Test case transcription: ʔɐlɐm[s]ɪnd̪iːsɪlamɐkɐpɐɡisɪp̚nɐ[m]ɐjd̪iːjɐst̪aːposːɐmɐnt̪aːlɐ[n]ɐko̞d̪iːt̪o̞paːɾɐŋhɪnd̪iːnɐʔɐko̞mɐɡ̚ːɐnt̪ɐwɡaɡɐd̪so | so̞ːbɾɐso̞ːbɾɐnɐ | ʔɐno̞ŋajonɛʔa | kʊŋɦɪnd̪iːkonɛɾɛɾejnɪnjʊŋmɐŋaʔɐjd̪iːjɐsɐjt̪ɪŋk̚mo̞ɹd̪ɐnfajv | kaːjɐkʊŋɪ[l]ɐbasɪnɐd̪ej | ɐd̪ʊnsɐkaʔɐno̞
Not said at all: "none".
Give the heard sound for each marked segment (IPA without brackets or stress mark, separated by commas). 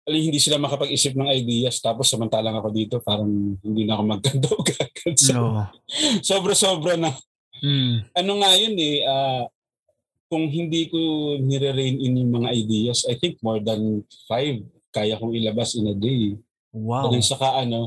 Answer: h, ŋ, ŋ, l